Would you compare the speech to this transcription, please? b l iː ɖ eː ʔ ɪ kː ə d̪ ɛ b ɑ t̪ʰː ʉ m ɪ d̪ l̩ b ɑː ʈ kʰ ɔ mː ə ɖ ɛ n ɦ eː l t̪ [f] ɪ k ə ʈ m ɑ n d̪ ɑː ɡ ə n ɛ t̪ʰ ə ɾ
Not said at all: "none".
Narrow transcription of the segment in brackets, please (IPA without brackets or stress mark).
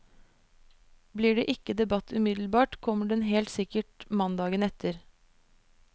s